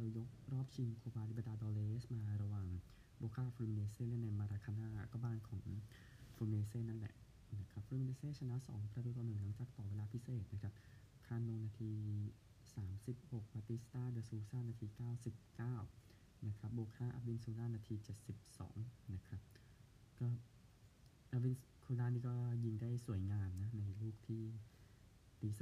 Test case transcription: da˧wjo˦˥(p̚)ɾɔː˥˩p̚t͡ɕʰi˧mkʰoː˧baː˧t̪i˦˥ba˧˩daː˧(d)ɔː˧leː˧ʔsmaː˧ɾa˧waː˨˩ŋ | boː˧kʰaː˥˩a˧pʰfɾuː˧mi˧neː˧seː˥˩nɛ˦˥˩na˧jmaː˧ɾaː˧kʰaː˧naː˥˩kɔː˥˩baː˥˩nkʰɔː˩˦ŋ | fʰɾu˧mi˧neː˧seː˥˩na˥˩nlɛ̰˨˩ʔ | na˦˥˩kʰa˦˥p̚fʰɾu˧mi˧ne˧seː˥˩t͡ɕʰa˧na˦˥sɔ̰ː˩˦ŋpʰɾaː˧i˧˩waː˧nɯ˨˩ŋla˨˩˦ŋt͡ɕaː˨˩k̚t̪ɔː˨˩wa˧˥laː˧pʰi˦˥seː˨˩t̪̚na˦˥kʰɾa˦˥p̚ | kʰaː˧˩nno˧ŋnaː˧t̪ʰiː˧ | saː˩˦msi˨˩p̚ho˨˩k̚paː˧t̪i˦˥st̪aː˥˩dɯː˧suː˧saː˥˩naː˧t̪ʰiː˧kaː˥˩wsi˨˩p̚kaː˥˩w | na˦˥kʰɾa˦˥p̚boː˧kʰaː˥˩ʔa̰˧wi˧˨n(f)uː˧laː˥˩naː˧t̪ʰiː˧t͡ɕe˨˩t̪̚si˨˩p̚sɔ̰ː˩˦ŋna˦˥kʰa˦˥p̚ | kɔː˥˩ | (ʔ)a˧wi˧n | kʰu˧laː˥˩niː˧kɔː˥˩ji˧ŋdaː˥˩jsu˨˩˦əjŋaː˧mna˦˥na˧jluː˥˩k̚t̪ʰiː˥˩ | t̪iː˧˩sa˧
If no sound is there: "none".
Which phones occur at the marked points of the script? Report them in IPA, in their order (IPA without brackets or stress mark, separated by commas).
k̚, d, s, ʔ